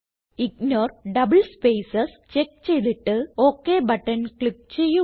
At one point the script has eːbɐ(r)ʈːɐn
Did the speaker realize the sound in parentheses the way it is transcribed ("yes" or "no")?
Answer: no